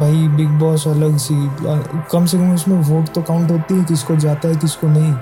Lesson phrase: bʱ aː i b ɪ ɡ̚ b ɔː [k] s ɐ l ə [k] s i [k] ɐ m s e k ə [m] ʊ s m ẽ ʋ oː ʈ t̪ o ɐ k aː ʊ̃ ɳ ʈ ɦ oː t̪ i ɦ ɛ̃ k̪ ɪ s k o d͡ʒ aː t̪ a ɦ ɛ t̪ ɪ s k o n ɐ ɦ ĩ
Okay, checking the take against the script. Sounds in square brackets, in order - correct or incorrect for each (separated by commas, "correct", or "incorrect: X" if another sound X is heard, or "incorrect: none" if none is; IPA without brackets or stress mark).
incorrect: none, incorrect: ɡ, correct, correct